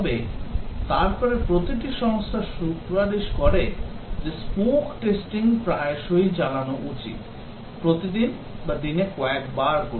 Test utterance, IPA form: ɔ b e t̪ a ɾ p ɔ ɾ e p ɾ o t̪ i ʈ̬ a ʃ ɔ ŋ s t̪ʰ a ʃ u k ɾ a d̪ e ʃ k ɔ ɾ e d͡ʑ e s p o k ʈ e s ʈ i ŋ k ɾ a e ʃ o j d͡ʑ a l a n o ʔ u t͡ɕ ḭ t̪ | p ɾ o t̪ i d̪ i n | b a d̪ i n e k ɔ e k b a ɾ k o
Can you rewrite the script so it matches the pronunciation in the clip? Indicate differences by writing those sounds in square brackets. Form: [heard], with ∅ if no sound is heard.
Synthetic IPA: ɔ b e t̪ a ɾ p ɔ ɾ e p ɾ o t̪ i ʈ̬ [i] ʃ ɔ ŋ s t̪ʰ a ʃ u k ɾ a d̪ e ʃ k ɔ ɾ e d͡ʑ e s p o k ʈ e s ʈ i ŋ [p] ɾ a e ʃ o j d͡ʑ a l a n o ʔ u t͡ɕ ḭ t̪ | p ɾ o t̪ i d̪ i n | b a d̪ i n e k ɔ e k b a ɾ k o